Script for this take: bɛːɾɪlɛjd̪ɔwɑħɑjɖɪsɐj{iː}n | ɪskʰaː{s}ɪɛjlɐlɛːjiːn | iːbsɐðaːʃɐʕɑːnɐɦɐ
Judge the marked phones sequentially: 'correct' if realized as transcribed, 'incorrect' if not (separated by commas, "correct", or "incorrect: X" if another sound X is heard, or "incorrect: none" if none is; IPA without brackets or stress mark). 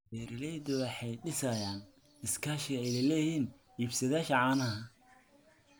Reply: incorrect: aː, incorrect: ʃ